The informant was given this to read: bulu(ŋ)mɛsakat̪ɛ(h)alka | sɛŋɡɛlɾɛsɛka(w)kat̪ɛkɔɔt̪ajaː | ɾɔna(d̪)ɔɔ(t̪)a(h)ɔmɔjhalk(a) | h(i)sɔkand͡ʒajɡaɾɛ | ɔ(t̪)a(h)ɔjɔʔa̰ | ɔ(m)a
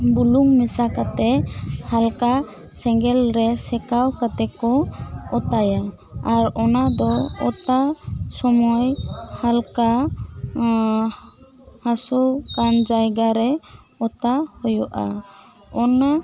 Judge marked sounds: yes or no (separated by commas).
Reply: yes, yes, yes, yes, yes, no, yes, no, yes, yes, no